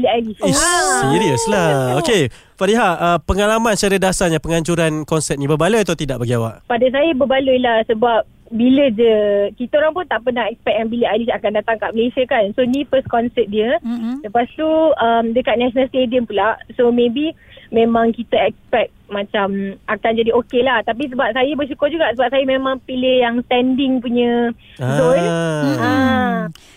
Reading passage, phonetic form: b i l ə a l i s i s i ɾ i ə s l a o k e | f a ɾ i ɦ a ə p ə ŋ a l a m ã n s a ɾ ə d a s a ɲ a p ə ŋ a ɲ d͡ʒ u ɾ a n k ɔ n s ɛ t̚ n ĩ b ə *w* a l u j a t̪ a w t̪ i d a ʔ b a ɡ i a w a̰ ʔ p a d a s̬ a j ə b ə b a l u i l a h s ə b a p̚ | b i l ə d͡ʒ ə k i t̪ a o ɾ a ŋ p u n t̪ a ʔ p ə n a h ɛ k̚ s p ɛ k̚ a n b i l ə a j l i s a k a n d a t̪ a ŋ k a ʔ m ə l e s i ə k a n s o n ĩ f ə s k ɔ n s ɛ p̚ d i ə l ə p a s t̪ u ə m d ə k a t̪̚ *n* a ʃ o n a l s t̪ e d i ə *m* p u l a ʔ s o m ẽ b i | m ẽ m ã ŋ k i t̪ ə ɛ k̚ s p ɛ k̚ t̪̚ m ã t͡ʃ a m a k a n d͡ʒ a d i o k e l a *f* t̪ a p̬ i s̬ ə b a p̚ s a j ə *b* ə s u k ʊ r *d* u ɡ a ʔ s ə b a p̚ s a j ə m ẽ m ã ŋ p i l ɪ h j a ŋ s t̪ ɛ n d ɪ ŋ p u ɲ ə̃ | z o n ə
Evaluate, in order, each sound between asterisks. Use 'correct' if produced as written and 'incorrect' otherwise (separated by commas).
incorrect, correct, correct, incorrect, correct, incorrect